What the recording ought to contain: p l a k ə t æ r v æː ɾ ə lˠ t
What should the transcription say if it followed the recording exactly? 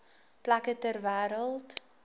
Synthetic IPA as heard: p l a k ə t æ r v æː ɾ ə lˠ t